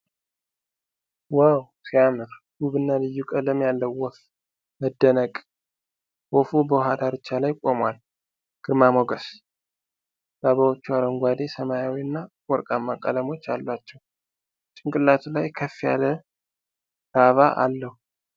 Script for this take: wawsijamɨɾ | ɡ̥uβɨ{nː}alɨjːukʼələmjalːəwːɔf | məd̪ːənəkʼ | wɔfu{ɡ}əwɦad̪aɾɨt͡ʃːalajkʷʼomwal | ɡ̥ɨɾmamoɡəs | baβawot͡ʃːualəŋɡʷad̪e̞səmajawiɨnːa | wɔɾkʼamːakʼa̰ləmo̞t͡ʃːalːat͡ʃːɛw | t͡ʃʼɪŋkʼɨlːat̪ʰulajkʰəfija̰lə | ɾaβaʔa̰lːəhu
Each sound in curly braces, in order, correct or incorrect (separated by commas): correct, incorrect